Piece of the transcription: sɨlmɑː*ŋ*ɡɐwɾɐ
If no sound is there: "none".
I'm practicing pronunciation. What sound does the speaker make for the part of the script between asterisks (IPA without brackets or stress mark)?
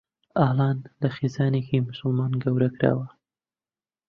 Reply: n